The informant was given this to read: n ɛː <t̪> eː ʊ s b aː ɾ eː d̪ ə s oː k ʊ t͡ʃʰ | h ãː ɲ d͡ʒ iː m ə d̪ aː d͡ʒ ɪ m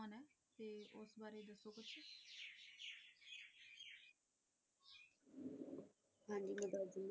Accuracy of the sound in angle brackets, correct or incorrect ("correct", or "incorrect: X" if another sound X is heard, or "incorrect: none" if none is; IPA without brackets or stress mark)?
correct